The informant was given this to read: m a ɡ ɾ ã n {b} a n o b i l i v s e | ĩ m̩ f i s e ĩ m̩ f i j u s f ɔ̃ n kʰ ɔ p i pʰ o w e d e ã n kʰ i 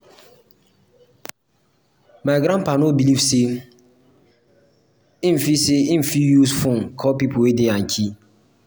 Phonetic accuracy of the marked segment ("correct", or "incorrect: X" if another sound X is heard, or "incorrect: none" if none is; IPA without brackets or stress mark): incorrect: p